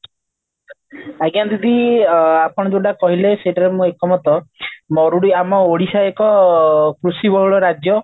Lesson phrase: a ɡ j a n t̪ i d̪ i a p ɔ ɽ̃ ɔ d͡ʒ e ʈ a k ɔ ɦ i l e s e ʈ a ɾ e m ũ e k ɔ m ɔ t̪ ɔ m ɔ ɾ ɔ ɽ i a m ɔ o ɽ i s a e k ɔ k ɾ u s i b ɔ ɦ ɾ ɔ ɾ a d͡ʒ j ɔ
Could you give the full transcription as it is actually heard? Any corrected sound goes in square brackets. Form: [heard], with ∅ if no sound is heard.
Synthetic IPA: a ɡ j a n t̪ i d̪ i a p ɔ ɽ̃ ɔ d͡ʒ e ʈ a k ɔ ɦ i l e s e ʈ a ɾ e m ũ e k ɔ m ɔ t̪ ɔ m ɔ ɾ [u] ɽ i a m ɔ o ɽ i s a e k ɔ k ɾ u s i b ɔ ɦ [ɭ] ɔ ɾ a d͡ʒ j ɔ